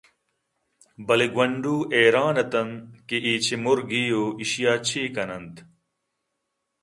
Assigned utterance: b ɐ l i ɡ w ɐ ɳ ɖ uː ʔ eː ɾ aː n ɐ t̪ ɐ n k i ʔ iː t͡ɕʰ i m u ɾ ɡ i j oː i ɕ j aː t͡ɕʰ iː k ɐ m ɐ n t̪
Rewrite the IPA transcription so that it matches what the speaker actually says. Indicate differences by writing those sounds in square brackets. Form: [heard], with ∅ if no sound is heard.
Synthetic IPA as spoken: b ɐ l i ɡ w ɐ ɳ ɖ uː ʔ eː ɾ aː n ɐ t̪ ɐ n k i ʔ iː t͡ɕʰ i m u ɾ ɡ i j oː i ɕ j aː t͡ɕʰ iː k ɐ [n] ɐ n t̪